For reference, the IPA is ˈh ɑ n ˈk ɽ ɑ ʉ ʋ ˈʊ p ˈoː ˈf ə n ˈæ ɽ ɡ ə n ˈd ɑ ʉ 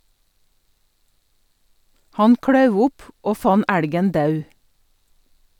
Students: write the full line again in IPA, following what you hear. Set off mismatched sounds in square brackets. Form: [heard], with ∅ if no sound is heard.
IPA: ˈh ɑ n ˈk ɽ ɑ ʉ ʋ ˈʊ p ˈoː ˈf [ɑ] n ˈæ ɽ ɡ ə n ˈd ɑ ʉ